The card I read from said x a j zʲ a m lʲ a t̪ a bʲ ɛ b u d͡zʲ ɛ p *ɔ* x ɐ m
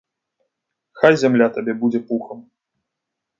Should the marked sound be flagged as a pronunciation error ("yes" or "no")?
yes